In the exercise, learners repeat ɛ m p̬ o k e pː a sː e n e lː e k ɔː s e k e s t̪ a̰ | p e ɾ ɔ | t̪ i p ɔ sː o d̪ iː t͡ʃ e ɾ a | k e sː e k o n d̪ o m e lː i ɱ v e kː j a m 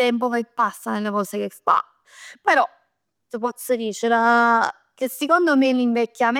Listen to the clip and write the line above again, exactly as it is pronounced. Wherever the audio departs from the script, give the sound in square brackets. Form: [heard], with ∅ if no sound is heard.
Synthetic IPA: ɛ m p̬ o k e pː a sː [a] n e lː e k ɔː s e k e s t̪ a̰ | p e ɾ ɔ | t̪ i p ɔ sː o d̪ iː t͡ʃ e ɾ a | k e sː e k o n d̪ o m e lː i ɱ v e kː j a m